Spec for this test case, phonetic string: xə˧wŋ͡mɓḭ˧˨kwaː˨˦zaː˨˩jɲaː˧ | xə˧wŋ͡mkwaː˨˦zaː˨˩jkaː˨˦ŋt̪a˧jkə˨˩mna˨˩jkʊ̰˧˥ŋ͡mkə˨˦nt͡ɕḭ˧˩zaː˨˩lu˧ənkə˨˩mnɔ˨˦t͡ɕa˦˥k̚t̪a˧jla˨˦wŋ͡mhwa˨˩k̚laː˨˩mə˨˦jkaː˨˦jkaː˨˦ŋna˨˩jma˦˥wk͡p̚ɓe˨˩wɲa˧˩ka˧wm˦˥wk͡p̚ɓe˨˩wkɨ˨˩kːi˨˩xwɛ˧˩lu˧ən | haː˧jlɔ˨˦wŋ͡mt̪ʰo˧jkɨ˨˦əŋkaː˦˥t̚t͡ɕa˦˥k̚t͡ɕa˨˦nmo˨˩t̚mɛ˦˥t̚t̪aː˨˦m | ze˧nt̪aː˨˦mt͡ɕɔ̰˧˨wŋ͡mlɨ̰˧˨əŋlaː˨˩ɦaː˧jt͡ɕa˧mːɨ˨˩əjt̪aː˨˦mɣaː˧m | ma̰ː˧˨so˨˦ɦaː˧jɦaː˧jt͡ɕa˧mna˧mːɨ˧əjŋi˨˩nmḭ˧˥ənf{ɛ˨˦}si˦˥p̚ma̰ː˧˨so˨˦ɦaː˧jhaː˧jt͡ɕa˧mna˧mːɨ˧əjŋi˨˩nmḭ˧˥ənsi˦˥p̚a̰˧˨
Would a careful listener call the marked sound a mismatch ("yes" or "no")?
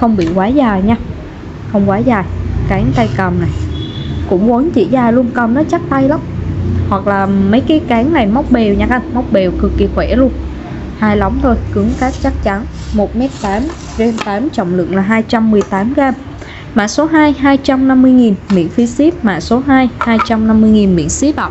yes